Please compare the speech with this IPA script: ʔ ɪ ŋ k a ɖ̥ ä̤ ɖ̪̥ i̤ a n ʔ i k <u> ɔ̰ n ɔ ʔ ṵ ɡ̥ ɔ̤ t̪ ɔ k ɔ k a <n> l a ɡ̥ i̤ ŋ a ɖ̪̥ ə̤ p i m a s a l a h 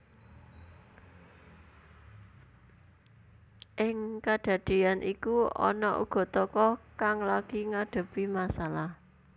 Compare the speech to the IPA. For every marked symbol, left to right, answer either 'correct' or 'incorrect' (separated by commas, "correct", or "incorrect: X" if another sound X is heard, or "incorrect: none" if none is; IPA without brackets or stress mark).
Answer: correct, incorrect: ŋ